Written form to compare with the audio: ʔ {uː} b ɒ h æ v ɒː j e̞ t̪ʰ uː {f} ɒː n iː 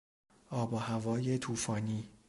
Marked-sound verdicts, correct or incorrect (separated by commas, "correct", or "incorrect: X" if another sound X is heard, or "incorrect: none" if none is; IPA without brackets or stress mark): incorrect: ɒː, correct